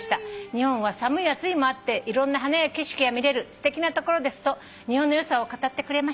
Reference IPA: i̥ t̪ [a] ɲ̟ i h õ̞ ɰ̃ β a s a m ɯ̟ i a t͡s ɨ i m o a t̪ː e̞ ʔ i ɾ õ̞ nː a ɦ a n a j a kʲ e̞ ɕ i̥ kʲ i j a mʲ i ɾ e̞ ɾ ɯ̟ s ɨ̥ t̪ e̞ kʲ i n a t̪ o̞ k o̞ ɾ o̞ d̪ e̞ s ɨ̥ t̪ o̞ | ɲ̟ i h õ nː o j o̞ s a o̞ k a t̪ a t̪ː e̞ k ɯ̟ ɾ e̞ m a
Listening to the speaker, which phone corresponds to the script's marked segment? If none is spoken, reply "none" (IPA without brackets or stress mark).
a